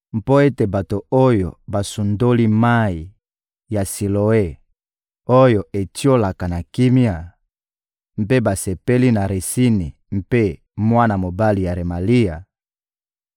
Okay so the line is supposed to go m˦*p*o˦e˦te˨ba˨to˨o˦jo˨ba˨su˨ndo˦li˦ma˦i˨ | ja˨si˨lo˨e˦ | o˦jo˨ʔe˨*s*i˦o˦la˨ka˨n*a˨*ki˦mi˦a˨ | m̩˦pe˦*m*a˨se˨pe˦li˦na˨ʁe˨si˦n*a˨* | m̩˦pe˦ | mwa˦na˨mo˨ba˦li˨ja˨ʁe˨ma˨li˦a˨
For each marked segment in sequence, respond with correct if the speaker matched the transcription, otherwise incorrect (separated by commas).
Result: correct, incorrect, correct, incorrect, incorrect